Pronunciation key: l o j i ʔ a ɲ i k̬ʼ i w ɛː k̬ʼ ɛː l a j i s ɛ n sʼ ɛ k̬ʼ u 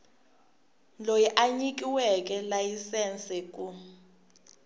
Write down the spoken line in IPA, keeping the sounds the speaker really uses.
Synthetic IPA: l o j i ʔ a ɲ i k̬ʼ i w ɛ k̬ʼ ɛ l a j i s ɛ n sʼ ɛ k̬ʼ u